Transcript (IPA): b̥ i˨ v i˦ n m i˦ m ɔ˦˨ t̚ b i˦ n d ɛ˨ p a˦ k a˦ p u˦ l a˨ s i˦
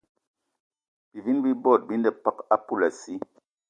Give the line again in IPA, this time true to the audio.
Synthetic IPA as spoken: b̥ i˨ v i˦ n b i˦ b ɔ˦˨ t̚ b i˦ n d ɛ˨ p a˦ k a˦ p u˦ l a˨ s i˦